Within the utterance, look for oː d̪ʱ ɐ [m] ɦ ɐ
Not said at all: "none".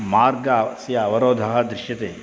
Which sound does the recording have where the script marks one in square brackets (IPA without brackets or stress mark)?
none